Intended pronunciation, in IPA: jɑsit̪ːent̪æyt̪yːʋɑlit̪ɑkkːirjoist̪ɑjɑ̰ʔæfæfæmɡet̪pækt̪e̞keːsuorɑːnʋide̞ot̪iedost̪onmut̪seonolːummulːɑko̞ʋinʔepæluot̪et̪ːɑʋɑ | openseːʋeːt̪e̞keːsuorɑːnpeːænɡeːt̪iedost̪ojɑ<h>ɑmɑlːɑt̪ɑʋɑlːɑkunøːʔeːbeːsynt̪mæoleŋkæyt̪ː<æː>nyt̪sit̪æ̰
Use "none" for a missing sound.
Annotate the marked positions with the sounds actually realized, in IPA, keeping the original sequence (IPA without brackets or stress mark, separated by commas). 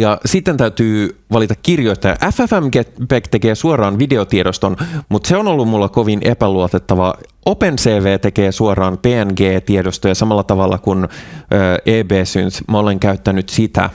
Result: s, æ